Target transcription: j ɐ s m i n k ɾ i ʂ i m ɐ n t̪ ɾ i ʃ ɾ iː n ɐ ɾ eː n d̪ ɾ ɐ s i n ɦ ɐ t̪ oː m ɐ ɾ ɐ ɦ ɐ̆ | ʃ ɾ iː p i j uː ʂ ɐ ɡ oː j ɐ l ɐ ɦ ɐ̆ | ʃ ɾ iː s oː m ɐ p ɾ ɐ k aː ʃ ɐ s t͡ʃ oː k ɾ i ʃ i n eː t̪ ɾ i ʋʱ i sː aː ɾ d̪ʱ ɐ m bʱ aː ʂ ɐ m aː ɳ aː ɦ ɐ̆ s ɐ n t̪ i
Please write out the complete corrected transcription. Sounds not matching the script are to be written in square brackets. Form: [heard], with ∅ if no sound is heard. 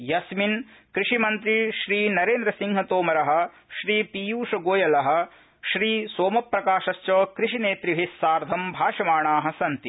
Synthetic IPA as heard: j ɐ s m i n k ɾ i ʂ i m ɐ n t̪ ɾ i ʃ ɾ iː n ɐ ɾ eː n d̪ ɾ ɐ s i [ŋ] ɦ ɐ t̪ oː m ɐ ɾ ɐ ɦ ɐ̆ | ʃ ɾ iː p i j uː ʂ ɐ ɡ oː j ɐ l ɐ ɦ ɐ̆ | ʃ ɾ iː s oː m ɐ p ɾ ɐ k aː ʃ ɐ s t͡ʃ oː k ɾ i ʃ i n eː t̪ ɾ i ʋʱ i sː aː ɾ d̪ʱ ɐ m bʱ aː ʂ ɐ m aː ɳ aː ɦ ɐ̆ s ɐ n t̪ i